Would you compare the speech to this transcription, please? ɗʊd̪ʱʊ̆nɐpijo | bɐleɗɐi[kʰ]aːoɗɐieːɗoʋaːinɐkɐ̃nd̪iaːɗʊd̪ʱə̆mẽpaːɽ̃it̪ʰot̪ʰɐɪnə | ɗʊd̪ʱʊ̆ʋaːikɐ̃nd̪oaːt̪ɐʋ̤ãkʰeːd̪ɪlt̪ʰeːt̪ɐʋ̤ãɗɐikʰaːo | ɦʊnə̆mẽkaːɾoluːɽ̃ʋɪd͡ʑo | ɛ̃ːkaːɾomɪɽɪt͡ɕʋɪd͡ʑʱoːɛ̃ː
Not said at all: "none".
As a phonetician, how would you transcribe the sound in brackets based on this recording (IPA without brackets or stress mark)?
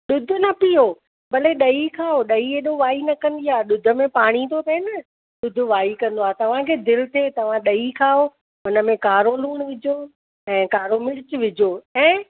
kʰ